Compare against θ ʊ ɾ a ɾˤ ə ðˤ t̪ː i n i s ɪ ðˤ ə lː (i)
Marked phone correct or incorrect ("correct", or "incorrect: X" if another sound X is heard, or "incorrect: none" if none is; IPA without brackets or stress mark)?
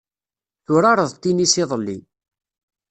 correct